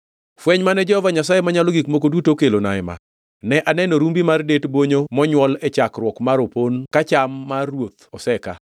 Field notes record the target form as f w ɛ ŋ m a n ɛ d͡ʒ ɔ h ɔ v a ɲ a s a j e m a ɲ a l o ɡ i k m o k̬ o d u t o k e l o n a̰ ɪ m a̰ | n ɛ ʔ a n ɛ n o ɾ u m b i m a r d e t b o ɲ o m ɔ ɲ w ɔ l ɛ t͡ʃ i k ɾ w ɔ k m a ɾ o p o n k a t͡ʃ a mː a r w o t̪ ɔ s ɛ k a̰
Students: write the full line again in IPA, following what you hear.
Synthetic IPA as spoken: f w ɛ ɲ m a n ɛ d͡ʒ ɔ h ɔ v a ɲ a s a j e m a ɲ a l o ɡ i k m o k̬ o d u t o k e l o n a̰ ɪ m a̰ | n ɛ ʔ a n ɛ n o ɾ u m b i m a r d e t b o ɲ o m ɔ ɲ w ɔ l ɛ t͡ʃ a k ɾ w ɔ k m a ɾ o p o n k a t͡ʃ a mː a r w o t̪ ɔ s ɛ k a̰